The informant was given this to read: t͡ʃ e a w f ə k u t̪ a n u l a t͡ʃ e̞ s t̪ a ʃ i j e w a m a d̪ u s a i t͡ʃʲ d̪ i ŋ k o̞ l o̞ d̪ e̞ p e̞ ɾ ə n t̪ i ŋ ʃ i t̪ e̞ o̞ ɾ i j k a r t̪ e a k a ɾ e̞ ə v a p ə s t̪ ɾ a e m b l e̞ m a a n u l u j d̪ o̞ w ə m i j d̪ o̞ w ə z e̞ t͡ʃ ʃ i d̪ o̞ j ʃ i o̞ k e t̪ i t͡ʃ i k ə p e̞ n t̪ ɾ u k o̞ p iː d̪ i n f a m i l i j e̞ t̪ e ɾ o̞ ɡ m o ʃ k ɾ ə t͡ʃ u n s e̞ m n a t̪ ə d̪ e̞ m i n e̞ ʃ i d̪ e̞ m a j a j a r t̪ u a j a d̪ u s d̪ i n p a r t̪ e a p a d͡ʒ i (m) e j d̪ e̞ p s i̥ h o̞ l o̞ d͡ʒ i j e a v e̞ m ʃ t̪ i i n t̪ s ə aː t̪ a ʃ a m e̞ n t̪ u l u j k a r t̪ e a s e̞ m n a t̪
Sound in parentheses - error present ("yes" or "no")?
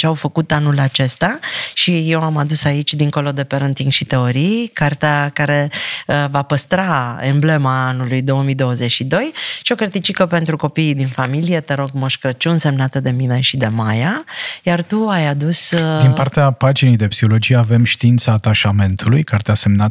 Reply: yes